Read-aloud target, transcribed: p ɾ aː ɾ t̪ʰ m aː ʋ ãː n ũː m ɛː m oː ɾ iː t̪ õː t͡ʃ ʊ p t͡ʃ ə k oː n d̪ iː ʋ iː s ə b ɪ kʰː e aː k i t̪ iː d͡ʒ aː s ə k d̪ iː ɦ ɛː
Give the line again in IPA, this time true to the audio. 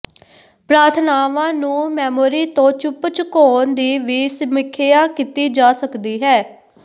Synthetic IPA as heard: p ɾ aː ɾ t̪ʰ n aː ʋ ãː n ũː m ɛː m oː ɾ iː t̪ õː t͡ʃ ʊ p t͡ʃ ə k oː n d̪ iː ʋ iː s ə m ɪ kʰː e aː k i t̪ iː d͡ʒ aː s ə k d̪ iː ɦ ɛː

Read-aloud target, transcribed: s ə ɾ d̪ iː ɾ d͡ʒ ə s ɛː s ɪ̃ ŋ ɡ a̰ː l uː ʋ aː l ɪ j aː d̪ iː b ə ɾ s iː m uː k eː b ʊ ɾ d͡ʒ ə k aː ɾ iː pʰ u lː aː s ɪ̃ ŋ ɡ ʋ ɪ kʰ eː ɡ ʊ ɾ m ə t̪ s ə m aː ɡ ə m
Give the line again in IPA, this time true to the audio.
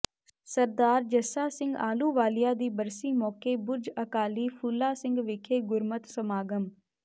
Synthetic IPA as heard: s ə ɾ d̪ aː ɾ d͡ʒ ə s aː s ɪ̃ ŋ ɡ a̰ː l uː ʋ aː l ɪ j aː d̪ iː b ə ɾ s iː m ɔː k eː b ʊ ɾ d͡ʒ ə k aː l iː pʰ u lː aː s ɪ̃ ŋ ɡ ʋ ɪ kʰ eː ɡ ʊ ɾ m ə t̪ s ə m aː ɡ ə m

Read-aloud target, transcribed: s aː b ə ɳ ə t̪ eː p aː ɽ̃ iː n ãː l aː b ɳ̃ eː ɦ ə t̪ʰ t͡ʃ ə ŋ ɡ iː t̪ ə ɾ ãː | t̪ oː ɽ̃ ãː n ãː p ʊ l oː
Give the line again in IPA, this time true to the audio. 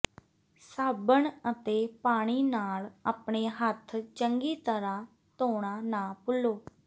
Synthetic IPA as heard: s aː b ə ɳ ə t̪ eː p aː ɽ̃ iː n aː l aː p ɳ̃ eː ɦ ə t̪ʰ t͡ʃ ə ŋ ɡ iː t̪ ə ɾ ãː | t̪ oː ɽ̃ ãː n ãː p ʊ l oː

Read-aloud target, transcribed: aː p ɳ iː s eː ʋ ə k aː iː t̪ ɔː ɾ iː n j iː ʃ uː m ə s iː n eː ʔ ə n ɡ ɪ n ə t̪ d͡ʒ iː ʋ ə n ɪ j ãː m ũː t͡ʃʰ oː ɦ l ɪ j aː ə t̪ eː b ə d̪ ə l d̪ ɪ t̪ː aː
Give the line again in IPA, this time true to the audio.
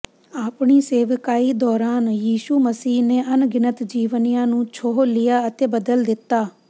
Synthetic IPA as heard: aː p ɳ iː s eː ʋ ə k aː iː d̪ ɔː ɾ aː n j iː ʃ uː m ə s iː n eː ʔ ə n ɡ ɪ n ə t̪ d͡ʒ iː ʋ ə n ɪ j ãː n ũː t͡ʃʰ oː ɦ l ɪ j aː ə t̪ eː b ə d̪ ə l d̪ ɪ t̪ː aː

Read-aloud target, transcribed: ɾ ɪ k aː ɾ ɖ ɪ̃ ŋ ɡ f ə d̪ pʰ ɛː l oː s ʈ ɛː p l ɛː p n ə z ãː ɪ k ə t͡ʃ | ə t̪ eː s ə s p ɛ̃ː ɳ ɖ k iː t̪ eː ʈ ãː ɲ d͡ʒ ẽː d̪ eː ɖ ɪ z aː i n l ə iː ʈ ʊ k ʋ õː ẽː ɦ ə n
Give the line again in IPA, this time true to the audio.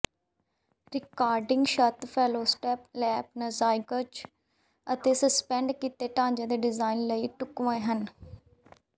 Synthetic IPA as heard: ɾ ɪ k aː ɾ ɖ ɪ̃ ŋ ɡ ʃ ə t̪ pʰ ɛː l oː s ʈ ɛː p l ɛː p n ə z aː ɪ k ə t͡ʃ | ə t̪ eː s ə s p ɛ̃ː ɳ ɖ k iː t̪ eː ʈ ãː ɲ d͡ʒ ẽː d̪ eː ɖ ɪ z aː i n l ə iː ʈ ʊ k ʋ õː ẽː ɦ ə n

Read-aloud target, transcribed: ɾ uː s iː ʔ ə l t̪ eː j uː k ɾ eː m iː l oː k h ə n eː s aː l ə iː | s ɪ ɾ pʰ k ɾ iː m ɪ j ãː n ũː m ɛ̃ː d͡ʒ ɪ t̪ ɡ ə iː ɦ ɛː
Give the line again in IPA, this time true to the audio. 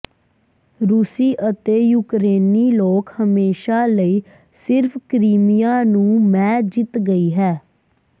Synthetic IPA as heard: ɾ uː s iː ʔ ə t̪ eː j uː k ɾ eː n iː l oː k h ə m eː ʃ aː l ə iː | s ɪ ɾ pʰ k ɾ iː m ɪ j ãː n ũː m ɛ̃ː d͡ʒ ɪ t̪ ɡ ə iː ɦ ɛː

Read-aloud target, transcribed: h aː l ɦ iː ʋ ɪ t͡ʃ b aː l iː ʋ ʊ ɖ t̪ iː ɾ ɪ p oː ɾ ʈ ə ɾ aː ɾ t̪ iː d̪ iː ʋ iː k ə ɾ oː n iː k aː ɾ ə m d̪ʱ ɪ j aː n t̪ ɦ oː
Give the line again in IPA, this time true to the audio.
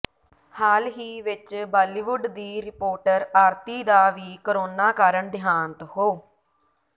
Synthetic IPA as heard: h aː l ɦ iː ʋ ɪ t͡ʃ b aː l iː ʋ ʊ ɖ d̪ iː ɾ ɪ p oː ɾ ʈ ə ɾ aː ɾ t̪ iː d̪ aː ʋ iː k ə ɾ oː n aː k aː ɾ ə ɳ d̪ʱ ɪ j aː n t̪ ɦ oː

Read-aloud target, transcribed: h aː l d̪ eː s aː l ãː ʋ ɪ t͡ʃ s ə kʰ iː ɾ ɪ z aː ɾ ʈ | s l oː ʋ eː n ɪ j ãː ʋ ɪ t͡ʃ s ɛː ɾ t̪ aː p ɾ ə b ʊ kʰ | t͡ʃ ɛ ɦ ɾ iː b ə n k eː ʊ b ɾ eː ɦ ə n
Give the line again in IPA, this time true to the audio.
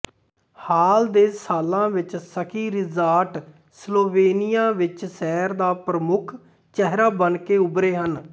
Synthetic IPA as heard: h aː l d̪ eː s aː l ãː ʋ ɪ t͡ʃ s ə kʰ iː ɾ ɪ z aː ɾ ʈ | s l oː ʋ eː n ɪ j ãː ʋ ɪ t͡ʃ s ɛː ɾ d̪ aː p ɾ ə m ʊ kʰ | t͡ʃ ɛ ɦ ɾ aː b ə n k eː ʊ b ɾ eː ɦ ə n

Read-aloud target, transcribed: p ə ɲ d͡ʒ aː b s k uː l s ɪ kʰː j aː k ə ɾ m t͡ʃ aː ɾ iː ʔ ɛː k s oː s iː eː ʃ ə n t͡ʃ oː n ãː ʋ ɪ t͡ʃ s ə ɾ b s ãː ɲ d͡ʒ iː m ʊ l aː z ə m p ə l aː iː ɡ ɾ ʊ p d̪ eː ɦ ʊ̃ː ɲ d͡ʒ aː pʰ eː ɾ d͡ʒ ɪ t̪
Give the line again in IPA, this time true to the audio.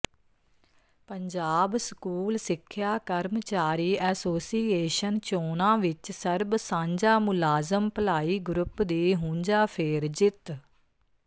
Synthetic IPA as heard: p ə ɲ d͡ʒ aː b s k uː l s ɪ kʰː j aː k ə ɾ m t͡ʃ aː ɾ iː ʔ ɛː s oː s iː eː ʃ ə n t͡ʃ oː n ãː ʋ ɪ t͡ʃ s ə ɾ b s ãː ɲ d͡ʒ aː m ʊ l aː z ə m p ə l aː iː ɡ ɾ ʊ p d̪ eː ɦ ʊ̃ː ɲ d͡ʒ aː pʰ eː ɾ d͡ʒ ɪ t̪

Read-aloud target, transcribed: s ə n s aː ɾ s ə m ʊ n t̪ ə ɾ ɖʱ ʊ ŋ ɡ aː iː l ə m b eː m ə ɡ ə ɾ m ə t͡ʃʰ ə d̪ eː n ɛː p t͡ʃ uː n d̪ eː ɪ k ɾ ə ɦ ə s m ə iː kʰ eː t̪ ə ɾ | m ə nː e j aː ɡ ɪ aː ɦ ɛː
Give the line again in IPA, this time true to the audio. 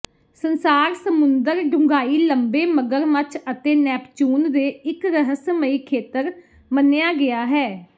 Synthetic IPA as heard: s ə n s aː ɾ s ə m ʊ n d̪ ə ɾ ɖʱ ʊ ŋ ɡ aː iː l ə m b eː m ə ɡ ə ɾ m ə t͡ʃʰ ə t̪ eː n ɛː p t͡ʃ uː n d̪ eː ɪ k ɾ ə ɦ ə s m ə iː kʰ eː t̪ ə ɾ | m ə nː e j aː ɡ ɪ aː ɦ ɛː

